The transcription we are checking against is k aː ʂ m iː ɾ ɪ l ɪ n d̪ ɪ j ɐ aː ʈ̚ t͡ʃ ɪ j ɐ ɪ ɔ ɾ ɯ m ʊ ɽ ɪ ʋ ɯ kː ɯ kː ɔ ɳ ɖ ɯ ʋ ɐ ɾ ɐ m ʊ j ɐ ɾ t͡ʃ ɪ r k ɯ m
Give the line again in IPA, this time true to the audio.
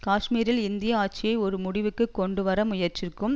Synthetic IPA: k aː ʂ m iː ɾ ɪ l ɪ n d̪ ɪ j ɐ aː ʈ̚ t͡ʃ ɪ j ɐ ɪ ɔ ɾ ɯ m ʊ ɽ ɪ ʋ ɯ kː ɯ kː ɔ ɳ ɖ ɯ ʋ ɐ ɾ ɐ m ʊ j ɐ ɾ t͡ʃ ɪ r k ɯ m